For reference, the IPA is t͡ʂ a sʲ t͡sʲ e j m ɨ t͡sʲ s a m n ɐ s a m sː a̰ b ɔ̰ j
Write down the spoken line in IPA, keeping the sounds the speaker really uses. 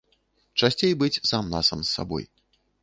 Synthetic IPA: t͡ʂ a sʲ t͡sʲ e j b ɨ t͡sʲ s a m n a s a m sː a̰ b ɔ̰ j